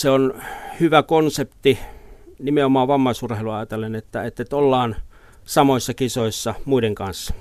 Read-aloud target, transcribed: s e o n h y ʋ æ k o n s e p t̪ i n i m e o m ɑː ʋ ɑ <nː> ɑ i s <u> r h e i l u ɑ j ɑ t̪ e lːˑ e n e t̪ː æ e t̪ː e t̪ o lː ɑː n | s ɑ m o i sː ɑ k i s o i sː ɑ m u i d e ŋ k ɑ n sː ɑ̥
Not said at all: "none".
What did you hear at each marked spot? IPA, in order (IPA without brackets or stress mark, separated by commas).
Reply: mː, u